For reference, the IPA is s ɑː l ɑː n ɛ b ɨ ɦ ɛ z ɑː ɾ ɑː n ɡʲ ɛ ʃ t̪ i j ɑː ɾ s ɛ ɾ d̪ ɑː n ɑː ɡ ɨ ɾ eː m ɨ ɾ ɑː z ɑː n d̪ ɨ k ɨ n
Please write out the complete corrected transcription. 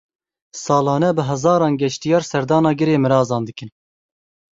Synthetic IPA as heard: s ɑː l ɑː n ɛ b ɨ ɦ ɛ z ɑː ɾ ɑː n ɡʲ ɛ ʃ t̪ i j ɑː ɾ s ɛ ɾ d̪ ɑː n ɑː ɡ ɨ ɾ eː m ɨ ɾ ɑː z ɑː n d̪ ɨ k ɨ n